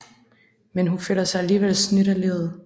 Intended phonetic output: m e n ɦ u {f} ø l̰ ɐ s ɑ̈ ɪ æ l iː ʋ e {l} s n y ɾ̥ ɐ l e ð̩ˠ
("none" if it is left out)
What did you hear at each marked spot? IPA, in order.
f, l

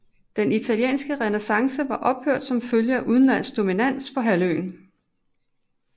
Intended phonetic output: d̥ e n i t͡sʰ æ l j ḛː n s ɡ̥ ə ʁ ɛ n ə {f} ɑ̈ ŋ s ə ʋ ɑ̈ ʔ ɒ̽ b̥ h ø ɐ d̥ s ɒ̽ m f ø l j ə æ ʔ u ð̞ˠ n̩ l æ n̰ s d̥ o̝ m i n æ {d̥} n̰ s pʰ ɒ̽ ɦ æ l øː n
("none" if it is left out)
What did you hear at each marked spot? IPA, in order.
s, none

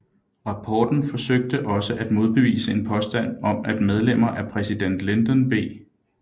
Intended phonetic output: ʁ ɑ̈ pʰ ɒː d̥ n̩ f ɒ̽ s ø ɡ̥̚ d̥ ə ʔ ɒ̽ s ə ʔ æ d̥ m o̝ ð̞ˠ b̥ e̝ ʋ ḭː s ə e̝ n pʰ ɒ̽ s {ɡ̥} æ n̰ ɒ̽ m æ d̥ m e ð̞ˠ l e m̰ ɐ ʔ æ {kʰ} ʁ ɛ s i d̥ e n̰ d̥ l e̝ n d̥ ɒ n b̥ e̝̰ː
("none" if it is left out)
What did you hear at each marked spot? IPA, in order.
d̥, pʰ

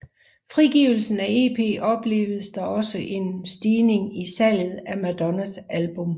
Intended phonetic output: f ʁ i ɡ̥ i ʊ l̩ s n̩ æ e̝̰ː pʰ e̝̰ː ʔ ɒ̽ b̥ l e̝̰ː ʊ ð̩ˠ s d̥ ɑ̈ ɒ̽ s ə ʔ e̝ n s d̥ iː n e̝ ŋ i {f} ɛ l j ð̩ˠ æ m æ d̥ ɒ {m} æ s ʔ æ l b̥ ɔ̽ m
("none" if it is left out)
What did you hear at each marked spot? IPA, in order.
s, n

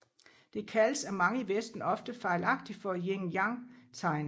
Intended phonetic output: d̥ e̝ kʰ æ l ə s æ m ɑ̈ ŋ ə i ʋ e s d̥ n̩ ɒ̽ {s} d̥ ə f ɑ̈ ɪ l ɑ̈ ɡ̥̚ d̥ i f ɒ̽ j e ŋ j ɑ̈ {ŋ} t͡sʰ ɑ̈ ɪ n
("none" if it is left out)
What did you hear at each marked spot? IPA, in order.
f, ŋ

